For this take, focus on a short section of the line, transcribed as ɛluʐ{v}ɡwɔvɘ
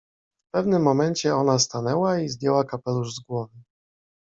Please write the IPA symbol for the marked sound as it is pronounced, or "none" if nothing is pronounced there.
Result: z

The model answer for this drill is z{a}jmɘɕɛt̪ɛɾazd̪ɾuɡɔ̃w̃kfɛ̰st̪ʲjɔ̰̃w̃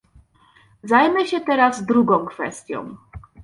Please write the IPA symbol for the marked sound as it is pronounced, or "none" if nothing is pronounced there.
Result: a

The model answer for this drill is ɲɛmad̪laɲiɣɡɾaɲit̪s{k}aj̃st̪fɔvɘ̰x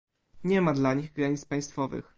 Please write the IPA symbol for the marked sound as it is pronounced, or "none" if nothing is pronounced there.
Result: p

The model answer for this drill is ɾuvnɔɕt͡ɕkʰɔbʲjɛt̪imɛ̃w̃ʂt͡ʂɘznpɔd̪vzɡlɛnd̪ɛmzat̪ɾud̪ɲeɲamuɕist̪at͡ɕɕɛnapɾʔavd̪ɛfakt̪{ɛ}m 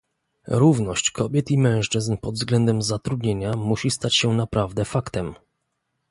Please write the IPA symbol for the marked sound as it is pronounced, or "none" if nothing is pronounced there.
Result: ɛ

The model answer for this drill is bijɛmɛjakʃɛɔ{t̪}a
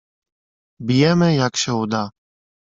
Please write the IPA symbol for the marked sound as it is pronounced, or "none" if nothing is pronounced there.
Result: d̪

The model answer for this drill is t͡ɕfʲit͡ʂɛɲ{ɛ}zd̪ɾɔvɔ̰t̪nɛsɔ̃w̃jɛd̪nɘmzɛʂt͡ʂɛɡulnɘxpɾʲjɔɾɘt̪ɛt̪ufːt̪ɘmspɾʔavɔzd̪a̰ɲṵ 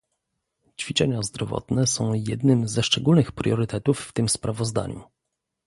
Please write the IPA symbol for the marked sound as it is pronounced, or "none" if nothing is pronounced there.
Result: a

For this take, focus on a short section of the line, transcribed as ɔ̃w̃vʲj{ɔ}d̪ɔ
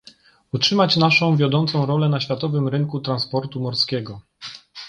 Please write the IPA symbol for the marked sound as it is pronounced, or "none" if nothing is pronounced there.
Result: ɔ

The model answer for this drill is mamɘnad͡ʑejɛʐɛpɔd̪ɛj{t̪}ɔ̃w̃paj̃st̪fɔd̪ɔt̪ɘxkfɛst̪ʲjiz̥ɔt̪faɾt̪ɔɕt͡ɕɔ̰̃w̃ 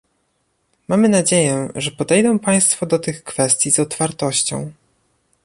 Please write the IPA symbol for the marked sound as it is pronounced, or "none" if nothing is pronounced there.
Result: d̪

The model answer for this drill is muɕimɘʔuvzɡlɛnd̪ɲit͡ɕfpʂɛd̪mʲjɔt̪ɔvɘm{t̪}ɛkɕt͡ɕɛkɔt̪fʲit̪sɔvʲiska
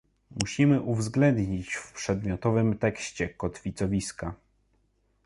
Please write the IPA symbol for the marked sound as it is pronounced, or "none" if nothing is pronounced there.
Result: t̪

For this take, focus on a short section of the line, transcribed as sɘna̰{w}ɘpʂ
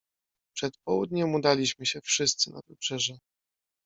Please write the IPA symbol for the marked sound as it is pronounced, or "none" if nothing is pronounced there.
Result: v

